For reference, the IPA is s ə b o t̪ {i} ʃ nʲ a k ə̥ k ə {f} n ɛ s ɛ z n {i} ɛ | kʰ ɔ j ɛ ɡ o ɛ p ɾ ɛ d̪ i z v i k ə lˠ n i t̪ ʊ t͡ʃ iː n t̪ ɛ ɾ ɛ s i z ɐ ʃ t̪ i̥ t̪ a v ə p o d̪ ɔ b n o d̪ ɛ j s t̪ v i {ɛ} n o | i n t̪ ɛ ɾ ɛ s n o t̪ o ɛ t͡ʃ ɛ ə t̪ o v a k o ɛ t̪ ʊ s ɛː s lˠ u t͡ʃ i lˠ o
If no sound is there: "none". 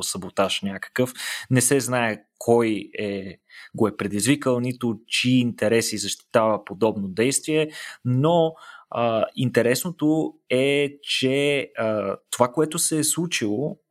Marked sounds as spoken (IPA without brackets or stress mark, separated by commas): a, f, a, ɛ